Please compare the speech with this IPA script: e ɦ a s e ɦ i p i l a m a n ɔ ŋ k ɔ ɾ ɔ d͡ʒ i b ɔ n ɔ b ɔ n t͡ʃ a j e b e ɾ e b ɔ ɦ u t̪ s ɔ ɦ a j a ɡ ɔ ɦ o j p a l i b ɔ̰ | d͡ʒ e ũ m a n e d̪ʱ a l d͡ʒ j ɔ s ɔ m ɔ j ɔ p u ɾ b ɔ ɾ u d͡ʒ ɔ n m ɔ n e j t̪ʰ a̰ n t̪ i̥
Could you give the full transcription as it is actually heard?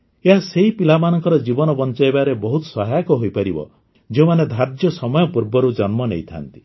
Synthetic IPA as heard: e ɦ a s e ɦ i p i l a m a n ɔ ŋ k ɔ ɾ ɔ d͡ʒ i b ɔ n ɔ b ɔ n t͡ʃ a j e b a ɾ e b ɔ ɦ u t̪ s ɔ ɦ a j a k ɔ ɦ o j p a ɾ i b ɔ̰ | d͡ʒ e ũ m a n e d̪ʱ a ɾ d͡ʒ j ɔ s ɔ m ɔ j ɔ p u ɾ b ɔ ɾ u d͡ʒ ɔ n m ɔ n e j t̪ʰ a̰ n t̪ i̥